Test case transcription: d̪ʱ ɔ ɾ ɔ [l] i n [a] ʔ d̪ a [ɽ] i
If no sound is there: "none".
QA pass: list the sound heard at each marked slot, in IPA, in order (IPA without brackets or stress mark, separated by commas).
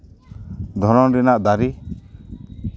ɾ, a, ɾ